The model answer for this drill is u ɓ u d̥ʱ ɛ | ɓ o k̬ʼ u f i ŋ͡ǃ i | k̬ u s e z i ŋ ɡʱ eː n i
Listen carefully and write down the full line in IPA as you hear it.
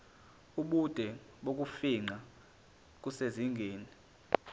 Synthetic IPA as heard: u ɓ u d̥ʱ ɛ | ɓ o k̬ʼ u f i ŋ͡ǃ a | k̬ u s e z i ŋ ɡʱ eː n i